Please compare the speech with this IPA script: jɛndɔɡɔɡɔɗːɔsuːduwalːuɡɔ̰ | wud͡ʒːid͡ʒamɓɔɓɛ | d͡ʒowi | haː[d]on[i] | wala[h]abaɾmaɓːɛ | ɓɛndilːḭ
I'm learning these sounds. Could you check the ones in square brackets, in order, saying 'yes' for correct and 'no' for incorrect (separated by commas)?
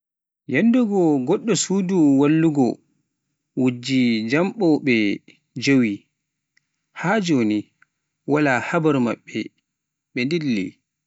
no, yes, yes